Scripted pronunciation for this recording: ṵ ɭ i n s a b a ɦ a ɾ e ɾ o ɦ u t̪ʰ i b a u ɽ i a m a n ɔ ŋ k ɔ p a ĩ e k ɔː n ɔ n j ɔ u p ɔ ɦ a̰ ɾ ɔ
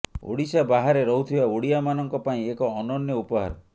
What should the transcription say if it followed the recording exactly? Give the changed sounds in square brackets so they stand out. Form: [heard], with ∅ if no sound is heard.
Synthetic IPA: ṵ [ɽ] i [∅] s a b a ɦ a ɾ e ɾ [ɔ] ɦ u t̪ʰ i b a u ɽ i a m a n ɔ ŋ k ɔ p a ĩ e k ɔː n ɔ n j ɔ u p ɔ ɦ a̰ ɾ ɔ